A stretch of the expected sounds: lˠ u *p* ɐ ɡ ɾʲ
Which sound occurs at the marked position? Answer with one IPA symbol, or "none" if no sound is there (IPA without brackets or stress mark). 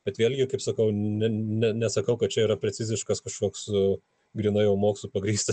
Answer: p